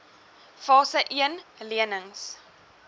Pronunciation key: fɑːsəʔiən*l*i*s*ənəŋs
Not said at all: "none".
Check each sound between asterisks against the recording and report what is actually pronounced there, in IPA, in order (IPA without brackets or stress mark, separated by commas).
l, none